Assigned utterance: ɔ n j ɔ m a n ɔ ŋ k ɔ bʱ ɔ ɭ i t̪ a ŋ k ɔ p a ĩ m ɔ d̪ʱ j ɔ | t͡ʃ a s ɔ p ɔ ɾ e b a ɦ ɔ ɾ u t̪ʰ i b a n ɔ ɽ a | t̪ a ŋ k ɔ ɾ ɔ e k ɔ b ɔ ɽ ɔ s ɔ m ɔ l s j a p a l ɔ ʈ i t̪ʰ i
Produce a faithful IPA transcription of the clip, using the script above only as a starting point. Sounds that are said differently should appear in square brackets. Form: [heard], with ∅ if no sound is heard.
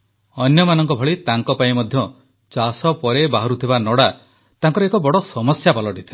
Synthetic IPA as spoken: ɔ n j ɔ m a n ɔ ŋ k ɔ bʱ ɔ ɭ i t̪ a ŋ k ɔ p a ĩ m ɔ d̪ʱ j ɔ | t͡ʃ a s ɔ p ɔ ɾ e b a ɦ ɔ ɾ u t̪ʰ i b a n ɔ ɽ a | t̪ a ŋ k ɔ ɾ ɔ e k ɔ b ɔ ɽ ɔ s ɔ m ɔ [∅] s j a p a l ɔ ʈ i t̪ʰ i